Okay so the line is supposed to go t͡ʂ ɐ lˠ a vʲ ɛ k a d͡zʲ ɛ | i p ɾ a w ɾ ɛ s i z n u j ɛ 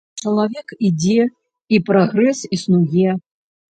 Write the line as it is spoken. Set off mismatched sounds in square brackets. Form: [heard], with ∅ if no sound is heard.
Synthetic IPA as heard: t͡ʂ ɐ lˠ a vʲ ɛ k [i] d͡zʲ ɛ | i p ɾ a [ɣ] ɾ ɛ s i [s] n u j ɛ